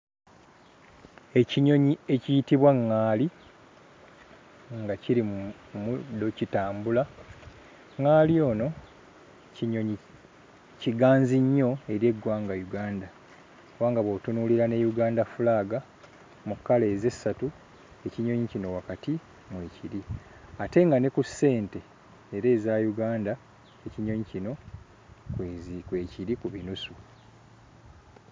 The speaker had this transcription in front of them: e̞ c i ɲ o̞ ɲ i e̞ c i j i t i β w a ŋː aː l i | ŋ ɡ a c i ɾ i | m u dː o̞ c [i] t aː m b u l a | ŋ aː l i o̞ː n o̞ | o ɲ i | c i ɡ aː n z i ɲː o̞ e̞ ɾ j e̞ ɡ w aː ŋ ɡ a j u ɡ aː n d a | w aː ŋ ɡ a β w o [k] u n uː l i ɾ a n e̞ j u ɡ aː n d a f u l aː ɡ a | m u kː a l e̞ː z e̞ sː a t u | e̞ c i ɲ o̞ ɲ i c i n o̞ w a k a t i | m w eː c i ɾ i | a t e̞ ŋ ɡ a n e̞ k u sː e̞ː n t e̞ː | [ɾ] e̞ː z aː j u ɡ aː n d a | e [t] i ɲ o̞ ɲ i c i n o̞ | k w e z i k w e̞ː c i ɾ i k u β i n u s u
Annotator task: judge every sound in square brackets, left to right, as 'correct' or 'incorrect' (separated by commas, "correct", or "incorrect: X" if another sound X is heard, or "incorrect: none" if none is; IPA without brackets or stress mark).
correct, incorrect: t, correct, incorrect: c